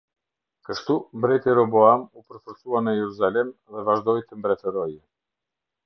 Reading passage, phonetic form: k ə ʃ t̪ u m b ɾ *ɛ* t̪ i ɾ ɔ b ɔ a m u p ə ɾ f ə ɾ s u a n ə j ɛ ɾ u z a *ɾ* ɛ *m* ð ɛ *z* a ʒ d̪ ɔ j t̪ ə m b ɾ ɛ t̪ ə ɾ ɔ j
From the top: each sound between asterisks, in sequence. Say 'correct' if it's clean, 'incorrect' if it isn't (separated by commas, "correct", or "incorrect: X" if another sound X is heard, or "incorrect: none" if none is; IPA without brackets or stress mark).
correct, incorrect: l, correct, incorrect: v